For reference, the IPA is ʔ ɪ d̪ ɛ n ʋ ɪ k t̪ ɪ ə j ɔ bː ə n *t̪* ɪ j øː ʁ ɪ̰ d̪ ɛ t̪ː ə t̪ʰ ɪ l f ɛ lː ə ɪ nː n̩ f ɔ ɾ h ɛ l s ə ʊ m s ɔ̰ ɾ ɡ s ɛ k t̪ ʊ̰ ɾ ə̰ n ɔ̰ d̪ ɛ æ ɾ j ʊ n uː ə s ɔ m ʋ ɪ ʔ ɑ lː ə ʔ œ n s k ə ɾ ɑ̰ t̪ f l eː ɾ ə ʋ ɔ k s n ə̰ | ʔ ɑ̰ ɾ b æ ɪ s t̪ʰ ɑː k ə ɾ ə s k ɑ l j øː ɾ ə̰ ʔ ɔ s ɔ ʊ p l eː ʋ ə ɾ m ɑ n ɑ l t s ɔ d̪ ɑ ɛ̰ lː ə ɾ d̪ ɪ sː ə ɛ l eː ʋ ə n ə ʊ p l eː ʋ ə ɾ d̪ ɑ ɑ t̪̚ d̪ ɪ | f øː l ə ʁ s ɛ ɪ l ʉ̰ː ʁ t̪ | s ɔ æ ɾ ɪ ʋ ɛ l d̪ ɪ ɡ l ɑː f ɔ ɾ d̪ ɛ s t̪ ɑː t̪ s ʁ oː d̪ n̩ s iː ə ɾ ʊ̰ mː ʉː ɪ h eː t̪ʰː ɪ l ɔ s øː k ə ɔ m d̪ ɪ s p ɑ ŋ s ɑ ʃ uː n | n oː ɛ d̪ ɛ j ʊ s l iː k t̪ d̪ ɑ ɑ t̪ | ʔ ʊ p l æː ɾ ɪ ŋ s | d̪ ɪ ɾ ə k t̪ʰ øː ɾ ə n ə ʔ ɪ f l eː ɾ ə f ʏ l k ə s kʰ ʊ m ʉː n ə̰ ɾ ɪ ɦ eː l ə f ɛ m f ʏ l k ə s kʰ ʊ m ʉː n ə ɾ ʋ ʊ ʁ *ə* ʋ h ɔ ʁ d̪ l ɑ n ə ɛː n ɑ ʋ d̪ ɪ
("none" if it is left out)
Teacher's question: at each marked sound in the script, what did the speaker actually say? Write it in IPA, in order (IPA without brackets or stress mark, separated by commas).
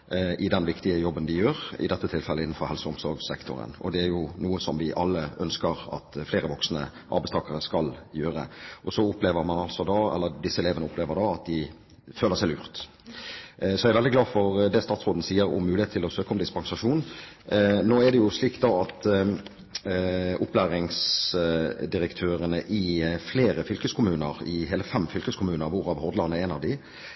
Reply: d̪, ɑ